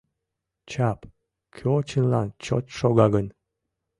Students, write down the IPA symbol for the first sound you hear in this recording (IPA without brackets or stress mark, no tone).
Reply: t͡ɕ